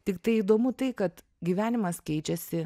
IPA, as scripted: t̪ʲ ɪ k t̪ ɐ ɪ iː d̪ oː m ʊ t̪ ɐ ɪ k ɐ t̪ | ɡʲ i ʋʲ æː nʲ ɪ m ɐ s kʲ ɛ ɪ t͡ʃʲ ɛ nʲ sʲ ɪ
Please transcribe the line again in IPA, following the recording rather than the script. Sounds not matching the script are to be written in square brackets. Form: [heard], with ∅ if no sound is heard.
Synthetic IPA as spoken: t̪ʲ ɪ k t̪ ɐ ɪ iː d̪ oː m ʊ t̪ ɐ ɪ k ɐ t̪ | ɡʲ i ʋʲ æː nʲ ɪ m ɐ s kʲ ɛ ɪ t͡ʃʲ ɛ [∅] sʲ ɪ

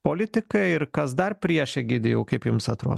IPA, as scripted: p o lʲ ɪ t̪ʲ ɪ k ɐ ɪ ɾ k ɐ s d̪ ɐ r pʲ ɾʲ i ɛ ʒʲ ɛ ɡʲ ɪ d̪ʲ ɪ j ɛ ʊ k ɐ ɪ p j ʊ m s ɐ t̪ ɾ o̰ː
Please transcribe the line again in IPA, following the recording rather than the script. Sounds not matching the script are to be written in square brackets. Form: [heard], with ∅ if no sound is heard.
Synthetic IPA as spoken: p o lʲ ɪ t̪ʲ ɪ k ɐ ɪ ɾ k ɐ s d̪ ɐ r pʲ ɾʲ i ɛ [ʃʲ] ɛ ɡʲ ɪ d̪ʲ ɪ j ɛ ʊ k ɐ ɪ p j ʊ m s ɐ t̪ ɾ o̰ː

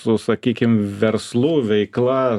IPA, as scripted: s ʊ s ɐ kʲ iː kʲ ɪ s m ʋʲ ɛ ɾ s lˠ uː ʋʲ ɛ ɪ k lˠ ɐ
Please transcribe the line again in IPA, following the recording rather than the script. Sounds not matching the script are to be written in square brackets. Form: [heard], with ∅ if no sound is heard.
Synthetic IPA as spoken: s ʊ s ɐ kʲ iː kʲ ɪ [∅] m ʋʲ ɛ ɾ s lˠ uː ʋʲ ɛ ɪ k lˠ ɐ

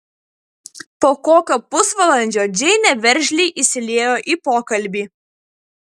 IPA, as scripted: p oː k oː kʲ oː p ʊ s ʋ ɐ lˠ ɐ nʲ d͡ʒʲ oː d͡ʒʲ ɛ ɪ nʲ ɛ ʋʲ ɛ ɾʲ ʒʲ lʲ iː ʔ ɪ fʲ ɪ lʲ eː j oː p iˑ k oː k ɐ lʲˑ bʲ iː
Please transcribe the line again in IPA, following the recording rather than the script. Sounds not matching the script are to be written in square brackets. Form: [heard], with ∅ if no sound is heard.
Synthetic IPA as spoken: p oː k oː kʲ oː p ʊ s ʋ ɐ lˠ ɐ nʲ d͡ʒʲ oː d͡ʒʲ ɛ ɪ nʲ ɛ ʋʲ ɛ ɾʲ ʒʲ lʲ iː ʔ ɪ [sʲ] ɪ lʲ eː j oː [ʔ] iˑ [p] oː k ɐ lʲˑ bʲ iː

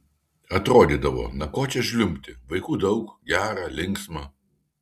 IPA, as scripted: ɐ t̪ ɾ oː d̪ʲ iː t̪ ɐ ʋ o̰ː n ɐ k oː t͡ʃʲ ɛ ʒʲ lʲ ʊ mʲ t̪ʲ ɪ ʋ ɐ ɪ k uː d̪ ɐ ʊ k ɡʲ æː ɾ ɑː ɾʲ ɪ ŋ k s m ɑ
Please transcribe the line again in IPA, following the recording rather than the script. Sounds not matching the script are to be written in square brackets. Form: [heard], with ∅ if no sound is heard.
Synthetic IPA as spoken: ɐ t̪ ɾ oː d̪ʲ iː [d̪] ɐ ʋ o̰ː n ɐ k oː t͡ʃʲ ɛ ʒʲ lʲ ʊ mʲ t̪ʲ ɪ ʋ ɐ ɪ k uː d̪ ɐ ʊ k ɡʲ æː ɾ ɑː [lʲ] ɪ ŋ k s m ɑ

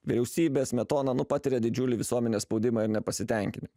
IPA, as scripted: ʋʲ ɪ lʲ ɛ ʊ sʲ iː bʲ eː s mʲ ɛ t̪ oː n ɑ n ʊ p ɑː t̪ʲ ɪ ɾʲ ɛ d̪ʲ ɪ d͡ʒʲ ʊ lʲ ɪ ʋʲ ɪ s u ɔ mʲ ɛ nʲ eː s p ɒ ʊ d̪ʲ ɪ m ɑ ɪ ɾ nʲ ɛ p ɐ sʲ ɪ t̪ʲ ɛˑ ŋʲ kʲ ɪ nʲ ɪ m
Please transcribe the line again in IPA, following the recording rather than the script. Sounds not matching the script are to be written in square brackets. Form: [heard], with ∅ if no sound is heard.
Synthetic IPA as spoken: ʋʲ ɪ [ɾʲ] ɛ ʊ sʲ iː bʲ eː s mʲ ɛ t̪ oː n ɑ n ʊ p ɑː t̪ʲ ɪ ɾʲ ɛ d̪ʲ ɪ d͡ʒʲ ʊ lʲ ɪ ʋʲ ɪ s u ɔ mʲ ɛ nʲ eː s p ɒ ʊ d̪ʲ ɪ m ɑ ɪ ɾ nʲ ɛ p ɐ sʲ ɪ t̪ʲ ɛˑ ŋʲ kʲ ɪ nʲ ɪ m

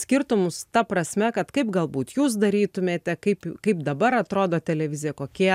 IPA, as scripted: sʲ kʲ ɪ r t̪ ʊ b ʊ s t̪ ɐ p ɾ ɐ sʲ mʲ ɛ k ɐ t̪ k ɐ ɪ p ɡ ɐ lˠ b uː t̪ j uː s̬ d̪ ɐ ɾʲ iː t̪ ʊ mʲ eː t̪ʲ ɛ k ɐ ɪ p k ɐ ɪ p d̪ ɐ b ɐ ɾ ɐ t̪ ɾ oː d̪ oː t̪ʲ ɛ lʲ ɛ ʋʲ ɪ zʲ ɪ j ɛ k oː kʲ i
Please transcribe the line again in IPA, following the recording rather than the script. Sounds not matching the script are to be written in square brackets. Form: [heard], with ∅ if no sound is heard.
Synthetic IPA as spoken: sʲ kʲ ɪ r t̪ ʊ [m] ʊ s t̪ ɐ p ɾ ɐ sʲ mʲ ɛ k ɐ t̪ k ɐ ɪ p ɡ ɐ lˠ b uː t̪ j uː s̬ d̪ ɐ ɾʲ iː t̪ ʊ mʲ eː t̪ʲ ɛ k ɐ ɪ p k ɐ ɪ p d̪ ɐ b ɐ ɾ ɐ t̪ ɾ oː d̪ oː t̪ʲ ɛ lʲ ɛ ʋʲ ɪ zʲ ɪ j ɛ k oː kʲ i

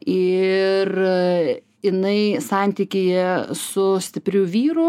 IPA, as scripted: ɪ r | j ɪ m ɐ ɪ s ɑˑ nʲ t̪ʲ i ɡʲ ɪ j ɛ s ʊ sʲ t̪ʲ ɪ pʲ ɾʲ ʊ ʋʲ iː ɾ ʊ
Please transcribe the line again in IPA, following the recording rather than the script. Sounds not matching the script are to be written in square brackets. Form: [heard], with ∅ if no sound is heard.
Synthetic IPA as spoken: ɪ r | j ɪ [n] ɐ ɪ s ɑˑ nʲ t̪ʲ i [kʲ] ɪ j ɛ s ʊ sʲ t̪ʲ ɪ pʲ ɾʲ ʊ ʋʲ iː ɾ ʊ

